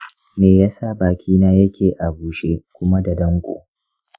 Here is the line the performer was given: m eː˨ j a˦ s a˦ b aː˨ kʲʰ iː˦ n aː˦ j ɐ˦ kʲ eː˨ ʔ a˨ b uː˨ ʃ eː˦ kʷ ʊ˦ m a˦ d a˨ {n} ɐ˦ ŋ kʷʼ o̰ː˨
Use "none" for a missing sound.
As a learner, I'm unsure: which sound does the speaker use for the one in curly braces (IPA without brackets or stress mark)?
d